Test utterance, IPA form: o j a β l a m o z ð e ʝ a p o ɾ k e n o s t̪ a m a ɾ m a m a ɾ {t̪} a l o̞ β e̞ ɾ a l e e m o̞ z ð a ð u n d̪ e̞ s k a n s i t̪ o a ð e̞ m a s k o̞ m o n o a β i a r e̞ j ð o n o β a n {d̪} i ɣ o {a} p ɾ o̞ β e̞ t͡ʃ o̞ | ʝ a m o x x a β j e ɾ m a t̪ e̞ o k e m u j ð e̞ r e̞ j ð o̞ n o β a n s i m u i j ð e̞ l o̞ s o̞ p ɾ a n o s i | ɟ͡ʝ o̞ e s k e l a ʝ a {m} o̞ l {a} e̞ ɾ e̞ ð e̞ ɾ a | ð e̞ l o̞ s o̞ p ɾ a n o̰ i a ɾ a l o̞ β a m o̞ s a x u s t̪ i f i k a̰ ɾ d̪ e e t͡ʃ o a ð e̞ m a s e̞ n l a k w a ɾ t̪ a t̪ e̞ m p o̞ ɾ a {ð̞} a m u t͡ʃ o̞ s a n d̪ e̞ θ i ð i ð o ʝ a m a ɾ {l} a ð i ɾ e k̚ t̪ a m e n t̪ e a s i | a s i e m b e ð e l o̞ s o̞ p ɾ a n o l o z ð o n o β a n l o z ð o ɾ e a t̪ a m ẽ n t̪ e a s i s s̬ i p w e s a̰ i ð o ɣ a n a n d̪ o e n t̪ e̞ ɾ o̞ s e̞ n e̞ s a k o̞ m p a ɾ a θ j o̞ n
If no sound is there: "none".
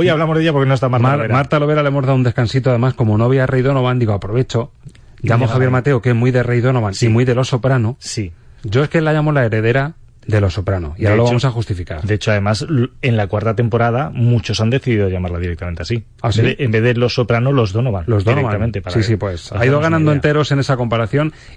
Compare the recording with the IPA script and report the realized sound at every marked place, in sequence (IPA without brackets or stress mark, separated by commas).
t̪, d̪, a, m, a, ð̞, l